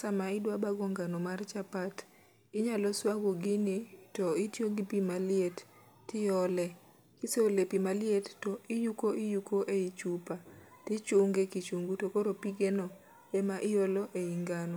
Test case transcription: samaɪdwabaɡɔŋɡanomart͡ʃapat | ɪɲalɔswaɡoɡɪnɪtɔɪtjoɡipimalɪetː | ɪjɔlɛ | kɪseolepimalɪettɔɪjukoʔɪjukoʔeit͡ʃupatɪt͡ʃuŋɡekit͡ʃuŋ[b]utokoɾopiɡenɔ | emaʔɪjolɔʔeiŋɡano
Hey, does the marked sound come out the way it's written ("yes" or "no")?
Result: no